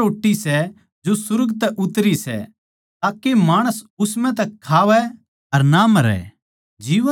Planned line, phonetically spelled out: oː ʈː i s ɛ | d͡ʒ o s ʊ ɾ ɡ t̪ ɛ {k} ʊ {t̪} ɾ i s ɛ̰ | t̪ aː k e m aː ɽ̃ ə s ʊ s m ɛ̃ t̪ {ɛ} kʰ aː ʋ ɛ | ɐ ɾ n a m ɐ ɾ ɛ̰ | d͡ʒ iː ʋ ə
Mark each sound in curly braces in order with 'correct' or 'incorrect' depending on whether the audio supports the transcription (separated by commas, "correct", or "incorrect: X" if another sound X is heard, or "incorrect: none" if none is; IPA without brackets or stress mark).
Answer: incorrect: ʔ, correct, correct